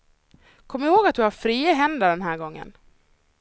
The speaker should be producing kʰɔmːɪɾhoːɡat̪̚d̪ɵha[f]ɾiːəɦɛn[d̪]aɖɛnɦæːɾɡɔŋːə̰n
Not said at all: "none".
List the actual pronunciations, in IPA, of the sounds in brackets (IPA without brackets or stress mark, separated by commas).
f, d̪